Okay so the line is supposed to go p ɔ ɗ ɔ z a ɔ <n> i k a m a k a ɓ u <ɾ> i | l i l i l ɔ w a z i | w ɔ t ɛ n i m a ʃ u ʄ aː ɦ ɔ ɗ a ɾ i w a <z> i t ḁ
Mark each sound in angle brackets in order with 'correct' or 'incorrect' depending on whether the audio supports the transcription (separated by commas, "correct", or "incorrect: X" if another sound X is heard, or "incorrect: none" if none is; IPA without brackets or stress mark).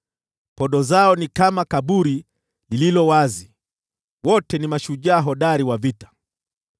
correct, correct, incorrect: v